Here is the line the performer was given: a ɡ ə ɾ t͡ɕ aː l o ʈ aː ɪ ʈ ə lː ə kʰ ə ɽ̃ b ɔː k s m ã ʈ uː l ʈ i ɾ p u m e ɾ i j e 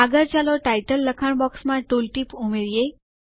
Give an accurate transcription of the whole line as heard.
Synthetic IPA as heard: a ɡ ə ɾ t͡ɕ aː l o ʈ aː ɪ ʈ ə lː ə kʰ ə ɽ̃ b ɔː k s m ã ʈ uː l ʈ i p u m e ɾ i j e